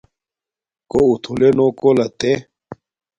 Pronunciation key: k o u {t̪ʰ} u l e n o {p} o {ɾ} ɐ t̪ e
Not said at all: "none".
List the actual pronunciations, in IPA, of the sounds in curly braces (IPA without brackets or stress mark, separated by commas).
t̪ʰ, k, l